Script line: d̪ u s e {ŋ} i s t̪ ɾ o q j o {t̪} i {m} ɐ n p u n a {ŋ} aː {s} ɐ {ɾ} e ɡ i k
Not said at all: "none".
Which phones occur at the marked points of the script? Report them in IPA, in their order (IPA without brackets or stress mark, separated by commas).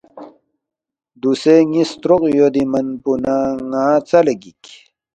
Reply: ŋ, d̪, m, ŋ, t͡s, l